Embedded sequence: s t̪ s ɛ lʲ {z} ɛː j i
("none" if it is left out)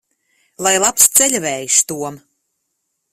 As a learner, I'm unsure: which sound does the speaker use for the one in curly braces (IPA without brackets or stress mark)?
v